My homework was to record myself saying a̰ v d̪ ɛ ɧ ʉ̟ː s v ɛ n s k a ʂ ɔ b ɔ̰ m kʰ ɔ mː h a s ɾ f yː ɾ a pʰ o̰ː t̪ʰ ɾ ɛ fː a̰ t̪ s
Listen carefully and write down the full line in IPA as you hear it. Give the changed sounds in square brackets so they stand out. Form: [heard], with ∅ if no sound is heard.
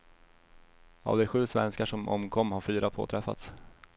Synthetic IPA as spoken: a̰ v d̪ ɛ ɧ ʉ̟ː s v ɛ n s k a ʂ ɔ [m] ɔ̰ m kʰ ɔ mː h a [∅] ɾ f yː ɾ a pʰ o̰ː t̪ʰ ɾ ɛ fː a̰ t̪ s